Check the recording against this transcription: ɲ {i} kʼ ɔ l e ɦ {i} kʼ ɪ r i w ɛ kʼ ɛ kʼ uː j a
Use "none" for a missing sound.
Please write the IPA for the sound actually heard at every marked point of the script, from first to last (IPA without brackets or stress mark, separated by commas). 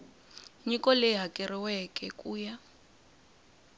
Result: i, a